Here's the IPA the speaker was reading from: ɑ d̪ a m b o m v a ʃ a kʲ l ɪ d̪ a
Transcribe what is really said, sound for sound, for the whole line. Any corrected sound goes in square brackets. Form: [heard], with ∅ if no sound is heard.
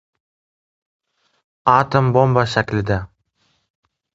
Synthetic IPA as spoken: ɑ [t̪] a m b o m [b] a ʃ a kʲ l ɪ d̪ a